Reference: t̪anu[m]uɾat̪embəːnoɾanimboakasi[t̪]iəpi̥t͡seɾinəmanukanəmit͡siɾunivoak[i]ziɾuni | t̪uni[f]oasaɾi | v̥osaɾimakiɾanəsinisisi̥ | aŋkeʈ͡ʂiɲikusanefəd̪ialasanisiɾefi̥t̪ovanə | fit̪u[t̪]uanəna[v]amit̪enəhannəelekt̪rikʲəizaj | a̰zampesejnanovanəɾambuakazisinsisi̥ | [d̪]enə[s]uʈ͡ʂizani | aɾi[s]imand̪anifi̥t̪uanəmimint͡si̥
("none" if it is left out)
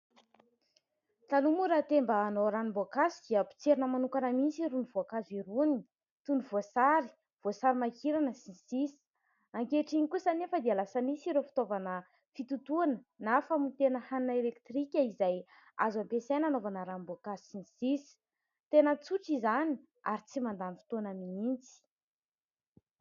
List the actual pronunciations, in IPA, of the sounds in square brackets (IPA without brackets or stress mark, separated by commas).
m, d̪, a, v, t̪, f, t̪, t͡s, t͡s